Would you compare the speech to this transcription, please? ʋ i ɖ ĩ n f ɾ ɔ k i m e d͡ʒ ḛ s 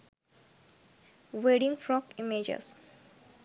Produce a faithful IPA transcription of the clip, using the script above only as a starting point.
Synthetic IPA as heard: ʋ e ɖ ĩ ŋ f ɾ ɔ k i m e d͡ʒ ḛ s